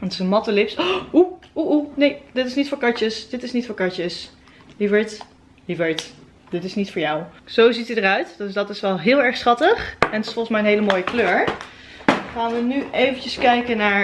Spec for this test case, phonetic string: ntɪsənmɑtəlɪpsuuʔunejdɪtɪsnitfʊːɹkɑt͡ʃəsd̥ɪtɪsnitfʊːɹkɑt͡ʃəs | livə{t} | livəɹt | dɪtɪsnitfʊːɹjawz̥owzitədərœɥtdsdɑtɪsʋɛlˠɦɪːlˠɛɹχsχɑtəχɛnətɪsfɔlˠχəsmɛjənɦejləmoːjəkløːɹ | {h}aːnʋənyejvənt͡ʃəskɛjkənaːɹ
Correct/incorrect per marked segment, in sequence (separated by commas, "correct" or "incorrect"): correct, incorrect